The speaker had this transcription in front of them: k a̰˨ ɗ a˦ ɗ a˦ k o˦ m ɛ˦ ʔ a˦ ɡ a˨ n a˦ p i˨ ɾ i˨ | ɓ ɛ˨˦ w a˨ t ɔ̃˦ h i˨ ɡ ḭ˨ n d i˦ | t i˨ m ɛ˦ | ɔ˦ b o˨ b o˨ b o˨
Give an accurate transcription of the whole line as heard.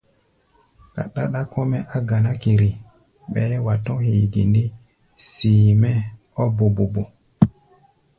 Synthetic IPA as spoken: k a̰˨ ɗ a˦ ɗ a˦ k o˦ m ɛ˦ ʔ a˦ ɡ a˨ n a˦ k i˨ ɾ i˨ | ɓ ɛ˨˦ w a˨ t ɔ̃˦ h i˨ ɡ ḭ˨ n d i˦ | s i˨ m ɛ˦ | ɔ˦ b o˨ b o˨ b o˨